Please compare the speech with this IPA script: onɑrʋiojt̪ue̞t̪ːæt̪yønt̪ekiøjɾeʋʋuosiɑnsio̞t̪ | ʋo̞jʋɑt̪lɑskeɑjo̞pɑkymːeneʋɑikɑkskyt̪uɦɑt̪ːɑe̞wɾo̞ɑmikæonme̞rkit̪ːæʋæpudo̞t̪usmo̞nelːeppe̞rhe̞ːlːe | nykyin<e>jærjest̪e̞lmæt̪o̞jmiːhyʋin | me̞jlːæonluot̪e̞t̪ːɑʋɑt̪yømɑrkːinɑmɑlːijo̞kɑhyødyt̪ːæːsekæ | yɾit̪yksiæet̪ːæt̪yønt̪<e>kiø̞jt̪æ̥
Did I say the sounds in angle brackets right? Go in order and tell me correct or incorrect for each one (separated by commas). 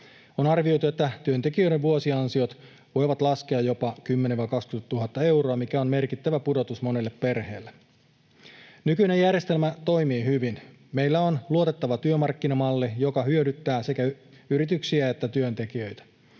correct, correct